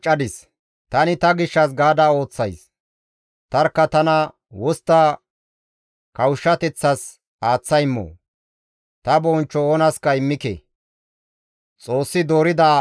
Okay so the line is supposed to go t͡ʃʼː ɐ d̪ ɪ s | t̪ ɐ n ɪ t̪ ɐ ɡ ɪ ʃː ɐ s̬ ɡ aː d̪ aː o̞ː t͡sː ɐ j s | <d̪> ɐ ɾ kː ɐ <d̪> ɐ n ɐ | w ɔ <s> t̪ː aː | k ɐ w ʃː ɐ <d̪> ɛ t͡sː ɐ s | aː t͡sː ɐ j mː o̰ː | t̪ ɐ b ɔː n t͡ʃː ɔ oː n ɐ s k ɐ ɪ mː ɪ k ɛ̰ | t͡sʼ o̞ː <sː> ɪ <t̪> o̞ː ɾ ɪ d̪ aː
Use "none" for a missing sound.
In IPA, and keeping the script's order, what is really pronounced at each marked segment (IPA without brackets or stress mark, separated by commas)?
t̪, t̪, s, t̪, sː, d̪